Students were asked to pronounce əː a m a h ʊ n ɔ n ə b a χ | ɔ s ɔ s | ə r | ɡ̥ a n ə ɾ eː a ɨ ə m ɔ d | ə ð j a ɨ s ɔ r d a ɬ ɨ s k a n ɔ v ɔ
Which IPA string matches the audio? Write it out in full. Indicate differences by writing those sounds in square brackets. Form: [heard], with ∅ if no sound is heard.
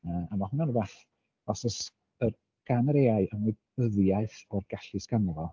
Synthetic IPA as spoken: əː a m a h ʊ n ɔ n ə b a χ | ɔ s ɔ s | ə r | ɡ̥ a n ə ɾ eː a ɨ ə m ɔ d | ə ð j a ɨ [θ] ɔ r [ɡ] a ɬ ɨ s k a n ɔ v ɔ